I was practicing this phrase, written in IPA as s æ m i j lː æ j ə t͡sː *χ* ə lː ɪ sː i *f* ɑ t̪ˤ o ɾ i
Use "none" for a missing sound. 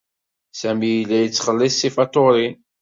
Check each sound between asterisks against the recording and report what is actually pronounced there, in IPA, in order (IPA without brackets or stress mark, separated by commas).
χ, f